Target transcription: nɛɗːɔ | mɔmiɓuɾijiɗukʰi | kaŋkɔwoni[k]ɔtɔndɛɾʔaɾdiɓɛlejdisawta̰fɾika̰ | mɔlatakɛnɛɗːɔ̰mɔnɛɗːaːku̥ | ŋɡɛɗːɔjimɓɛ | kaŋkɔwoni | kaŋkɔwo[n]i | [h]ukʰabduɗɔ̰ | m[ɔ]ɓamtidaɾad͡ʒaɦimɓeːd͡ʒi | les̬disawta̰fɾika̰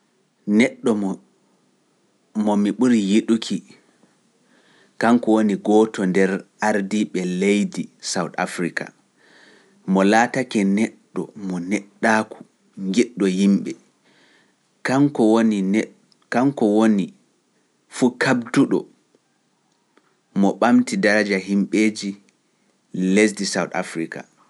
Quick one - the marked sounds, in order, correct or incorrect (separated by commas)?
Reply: incorrect, correct, incorrect, correct